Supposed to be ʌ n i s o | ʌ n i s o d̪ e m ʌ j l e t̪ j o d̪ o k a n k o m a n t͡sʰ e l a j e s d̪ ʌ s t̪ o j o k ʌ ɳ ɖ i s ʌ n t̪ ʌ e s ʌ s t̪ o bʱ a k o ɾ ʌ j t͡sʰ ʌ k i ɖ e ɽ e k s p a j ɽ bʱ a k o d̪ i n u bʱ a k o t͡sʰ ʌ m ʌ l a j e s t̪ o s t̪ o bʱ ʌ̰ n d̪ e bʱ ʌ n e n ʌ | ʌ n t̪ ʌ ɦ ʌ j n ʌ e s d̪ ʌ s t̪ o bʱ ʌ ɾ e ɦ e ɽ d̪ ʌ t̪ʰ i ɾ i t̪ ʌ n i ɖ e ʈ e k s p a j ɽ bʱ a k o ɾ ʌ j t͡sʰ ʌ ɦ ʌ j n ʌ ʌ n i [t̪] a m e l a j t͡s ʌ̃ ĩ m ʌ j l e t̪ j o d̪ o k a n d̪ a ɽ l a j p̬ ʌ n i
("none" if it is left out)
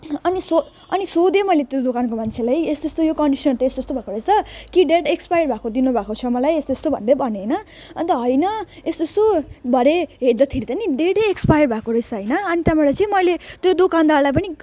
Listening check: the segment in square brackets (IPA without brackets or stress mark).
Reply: t̪